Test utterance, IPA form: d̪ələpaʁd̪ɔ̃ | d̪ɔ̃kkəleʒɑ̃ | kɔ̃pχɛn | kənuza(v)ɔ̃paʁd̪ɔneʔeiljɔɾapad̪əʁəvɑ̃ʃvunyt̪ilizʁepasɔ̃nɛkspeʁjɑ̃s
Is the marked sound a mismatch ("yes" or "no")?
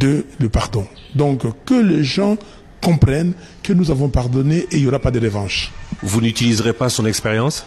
no